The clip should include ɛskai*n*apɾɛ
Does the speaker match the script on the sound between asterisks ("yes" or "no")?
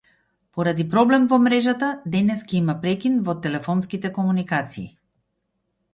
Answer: no